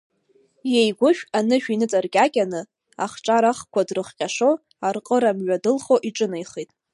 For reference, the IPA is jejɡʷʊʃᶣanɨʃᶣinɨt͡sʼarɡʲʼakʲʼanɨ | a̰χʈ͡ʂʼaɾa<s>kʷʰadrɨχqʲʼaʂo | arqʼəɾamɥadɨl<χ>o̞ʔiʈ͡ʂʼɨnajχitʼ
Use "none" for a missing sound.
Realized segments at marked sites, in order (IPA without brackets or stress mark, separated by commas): χ, χ